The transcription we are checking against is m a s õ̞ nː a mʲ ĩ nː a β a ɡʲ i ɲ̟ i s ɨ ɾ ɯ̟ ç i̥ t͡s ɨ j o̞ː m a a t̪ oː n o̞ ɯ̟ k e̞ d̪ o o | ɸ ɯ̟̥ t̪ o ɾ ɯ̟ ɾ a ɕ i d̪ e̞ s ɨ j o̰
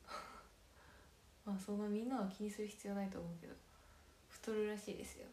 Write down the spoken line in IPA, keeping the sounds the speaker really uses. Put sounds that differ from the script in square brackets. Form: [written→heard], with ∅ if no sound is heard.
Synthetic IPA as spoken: m a s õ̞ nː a mʲ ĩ nː a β a [ɡʲ→kʲ] i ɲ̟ i s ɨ ɾ ɯ̟ ç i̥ t͡s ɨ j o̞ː [m→n] a [a→i] t̪ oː [n→m] o̞ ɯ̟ k e̞ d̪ o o | ɸ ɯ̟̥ t̪ o ɾ ɯ̟ ɾ a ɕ [i→iː] d̪ e̞ s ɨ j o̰